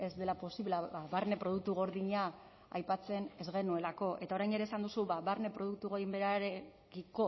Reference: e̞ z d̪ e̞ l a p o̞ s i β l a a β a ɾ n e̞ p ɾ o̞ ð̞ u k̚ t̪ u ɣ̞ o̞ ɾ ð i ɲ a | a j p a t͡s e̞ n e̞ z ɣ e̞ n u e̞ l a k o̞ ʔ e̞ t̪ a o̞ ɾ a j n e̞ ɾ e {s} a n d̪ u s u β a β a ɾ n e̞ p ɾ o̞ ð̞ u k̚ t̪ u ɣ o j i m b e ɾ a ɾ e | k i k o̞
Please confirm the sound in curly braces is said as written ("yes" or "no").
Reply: yes